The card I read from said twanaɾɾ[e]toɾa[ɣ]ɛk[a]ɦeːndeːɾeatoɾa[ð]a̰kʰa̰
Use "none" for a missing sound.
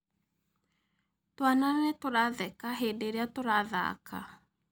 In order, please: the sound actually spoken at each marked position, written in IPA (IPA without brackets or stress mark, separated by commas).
ɛ, ð, a, ð